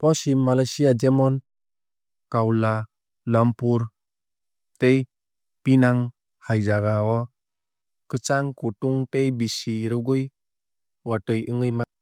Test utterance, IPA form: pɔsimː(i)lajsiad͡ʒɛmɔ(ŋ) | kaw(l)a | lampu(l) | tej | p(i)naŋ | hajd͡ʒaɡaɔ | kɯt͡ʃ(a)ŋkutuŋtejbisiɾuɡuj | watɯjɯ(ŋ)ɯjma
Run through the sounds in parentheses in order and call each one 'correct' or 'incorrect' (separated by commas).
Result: incorrect, incorrect, correct, incorrect, correct, correct, correct